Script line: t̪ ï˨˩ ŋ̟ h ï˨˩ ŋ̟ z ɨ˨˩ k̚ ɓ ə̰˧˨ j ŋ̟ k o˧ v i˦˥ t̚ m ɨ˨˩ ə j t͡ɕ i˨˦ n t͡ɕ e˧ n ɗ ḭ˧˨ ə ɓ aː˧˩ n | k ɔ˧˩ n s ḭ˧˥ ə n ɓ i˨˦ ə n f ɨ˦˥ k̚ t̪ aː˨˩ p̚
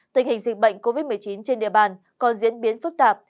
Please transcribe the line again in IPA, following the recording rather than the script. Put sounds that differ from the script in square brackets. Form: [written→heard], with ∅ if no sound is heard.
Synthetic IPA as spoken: t̪ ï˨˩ ŋ̟ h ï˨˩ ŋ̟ z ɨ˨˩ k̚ ɓ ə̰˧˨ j ŋ̟ k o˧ v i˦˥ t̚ m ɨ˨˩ ə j t͡ɕ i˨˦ n t͡ɕ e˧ n ɗ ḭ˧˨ ə ɓ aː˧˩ n | k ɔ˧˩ n [s→z] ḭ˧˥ ə n ɓ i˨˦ ə n f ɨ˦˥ k̚ t̪ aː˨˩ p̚